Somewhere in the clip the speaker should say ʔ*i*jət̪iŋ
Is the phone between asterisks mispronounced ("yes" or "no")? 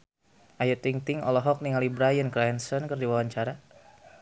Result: yes